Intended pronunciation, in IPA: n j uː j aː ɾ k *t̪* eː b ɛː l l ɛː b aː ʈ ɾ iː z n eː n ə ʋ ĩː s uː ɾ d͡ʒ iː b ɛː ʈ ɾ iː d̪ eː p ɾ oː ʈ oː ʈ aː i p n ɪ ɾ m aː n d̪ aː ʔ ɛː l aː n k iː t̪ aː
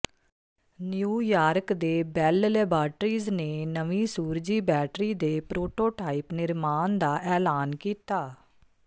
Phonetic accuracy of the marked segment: incorrect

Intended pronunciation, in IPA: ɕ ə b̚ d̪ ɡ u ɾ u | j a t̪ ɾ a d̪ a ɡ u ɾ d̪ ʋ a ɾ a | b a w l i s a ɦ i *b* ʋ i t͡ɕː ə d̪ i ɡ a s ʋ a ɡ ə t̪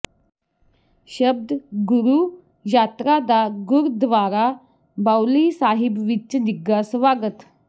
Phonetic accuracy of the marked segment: correct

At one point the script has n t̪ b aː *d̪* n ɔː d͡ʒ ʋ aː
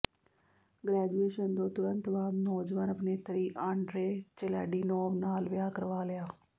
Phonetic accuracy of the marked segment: correct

